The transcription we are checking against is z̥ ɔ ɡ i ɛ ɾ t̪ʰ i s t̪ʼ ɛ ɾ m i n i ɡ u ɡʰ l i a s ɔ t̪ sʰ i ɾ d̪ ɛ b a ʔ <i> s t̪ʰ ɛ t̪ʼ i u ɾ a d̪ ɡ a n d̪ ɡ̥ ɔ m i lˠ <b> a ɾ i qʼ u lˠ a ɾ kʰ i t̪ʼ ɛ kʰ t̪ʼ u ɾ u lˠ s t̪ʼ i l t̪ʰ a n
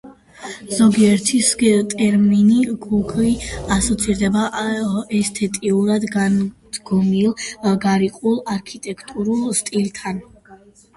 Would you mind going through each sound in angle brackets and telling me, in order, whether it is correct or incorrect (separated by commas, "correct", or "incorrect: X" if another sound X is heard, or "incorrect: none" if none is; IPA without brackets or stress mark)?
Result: incorrect: ɛ, incorrect: ɡ